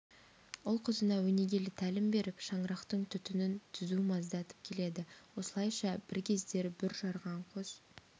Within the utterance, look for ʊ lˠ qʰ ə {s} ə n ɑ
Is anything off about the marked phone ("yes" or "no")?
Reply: yes